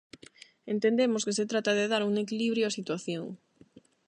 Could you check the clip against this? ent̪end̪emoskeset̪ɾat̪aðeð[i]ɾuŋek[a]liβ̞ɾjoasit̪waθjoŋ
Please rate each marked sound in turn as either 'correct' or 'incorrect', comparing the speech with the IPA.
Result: incorrect: a, incorrect: i

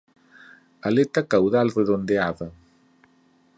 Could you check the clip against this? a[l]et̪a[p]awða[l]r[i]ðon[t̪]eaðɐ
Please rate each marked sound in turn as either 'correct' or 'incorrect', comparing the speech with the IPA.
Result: correct, incorrect: k, correct, incorrect: e, incorrect: d̪

